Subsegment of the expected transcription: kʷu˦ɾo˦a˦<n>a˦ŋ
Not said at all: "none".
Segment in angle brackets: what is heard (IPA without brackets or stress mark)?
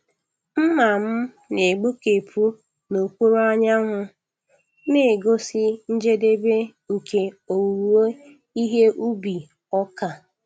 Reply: ɲ